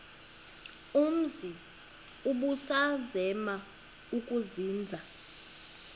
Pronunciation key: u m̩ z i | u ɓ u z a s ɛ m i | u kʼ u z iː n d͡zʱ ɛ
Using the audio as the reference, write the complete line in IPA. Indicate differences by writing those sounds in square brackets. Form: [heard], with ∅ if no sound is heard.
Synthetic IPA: u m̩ z i | u ɓ u [s] a [z] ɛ m [a] | u kʼ u z iː n d͡zʱ [a]